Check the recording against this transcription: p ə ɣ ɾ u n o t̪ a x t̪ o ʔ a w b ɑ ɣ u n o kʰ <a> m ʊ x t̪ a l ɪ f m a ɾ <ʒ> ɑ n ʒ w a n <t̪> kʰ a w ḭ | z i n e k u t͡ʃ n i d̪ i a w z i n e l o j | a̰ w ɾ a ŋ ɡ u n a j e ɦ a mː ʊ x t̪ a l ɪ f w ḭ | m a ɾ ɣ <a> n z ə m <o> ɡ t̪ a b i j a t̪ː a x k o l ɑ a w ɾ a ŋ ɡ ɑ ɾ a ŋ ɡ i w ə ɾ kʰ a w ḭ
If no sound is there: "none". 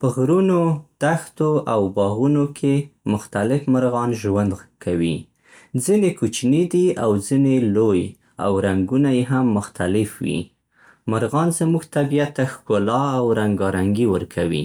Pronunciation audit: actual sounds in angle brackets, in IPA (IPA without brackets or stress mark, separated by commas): e, ɣ, d̪, ɑ, u